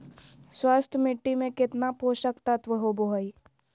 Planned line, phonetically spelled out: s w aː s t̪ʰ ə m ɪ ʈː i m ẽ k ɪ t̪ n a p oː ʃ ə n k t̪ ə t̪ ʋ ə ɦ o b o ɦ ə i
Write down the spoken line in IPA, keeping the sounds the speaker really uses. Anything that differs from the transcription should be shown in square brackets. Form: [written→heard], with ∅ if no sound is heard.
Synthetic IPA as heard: s w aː s t̪ʰ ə m ɪ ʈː i m ẽ k ɪ t̪ n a p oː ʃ ə [n→∅] k t̪ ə t̪ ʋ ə ɦ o b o ɦ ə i